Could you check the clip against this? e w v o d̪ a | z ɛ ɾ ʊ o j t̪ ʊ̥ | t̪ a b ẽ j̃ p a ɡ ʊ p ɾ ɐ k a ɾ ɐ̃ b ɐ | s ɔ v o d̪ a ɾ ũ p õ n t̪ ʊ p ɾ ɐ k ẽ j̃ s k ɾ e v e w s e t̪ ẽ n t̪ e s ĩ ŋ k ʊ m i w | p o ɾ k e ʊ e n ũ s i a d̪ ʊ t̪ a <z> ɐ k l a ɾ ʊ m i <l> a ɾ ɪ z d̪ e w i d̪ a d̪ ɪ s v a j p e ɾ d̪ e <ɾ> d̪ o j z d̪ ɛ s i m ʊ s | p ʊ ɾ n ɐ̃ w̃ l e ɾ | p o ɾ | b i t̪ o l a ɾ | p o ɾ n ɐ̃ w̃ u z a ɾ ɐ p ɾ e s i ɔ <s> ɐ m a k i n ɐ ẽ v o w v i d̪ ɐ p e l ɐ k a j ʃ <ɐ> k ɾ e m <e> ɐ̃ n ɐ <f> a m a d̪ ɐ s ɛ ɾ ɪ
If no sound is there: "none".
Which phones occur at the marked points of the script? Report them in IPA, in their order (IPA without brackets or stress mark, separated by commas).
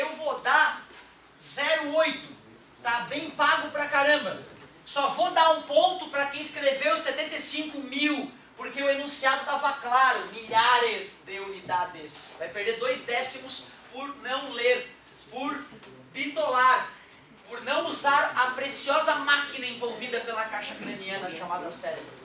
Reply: v, ʎ, ɾ, z, ɐ, i, ʃ